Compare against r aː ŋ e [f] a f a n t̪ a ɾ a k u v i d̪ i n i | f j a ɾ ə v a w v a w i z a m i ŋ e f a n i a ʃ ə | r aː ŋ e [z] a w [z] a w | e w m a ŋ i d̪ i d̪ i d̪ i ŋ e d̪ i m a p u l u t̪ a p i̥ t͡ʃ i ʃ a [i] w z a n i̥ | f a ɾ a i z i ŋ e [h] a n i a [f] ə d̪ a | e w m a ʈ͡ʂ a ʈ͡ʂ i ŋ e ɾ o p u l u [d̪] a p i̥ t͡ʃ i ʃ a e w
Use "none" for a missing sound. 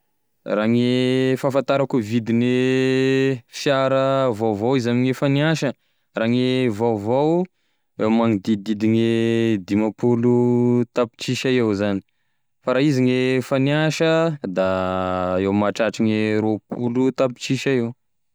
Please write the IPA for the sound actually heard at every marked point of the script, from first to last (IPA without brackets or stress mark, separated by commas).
f, v, v, e, f, ʃ, t̪